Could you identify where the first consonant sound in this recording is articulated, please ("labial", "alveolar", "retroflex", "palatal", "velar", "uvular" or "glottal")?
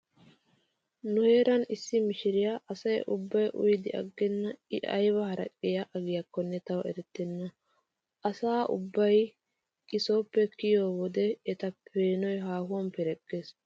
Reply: alveolar